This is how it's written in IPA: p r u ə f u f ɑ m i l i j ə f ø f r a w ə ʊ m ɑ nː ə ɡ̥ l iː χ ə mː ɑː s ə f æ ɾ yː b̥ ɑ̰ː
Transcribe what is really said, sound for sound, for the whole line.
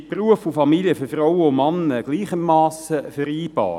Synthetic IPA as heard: p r u ə f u f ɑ m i l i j ə f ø f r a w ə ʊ m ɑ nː ə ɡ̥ l iː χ ə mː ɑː s ə f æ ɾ iː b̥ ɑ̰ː